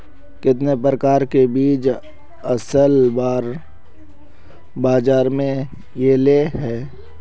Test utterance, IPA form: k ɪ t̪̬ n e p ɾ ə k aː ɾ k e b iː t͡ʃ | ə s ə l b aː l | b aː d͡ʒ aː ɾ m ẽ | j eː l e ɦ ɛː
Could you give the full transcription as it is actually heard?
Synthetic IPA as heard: k ɪ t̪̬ n e p ɾ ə k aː ɾ k e b iː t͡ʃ | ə s ə l b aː ɾ | b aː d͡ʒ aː ɾ m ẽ | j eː l e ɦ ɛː